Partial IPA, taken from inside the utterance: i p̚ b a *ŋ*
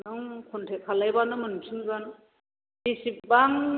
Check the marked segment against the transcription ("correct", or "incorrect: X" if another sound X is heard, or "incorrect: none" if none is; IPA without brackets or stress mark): correct